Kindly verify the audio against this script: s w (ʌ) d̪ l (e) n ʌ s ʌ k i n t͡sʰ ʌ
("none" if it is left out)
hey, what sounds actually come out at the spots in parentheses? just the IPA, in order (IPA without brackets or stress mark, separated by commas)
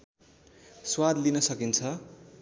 a, i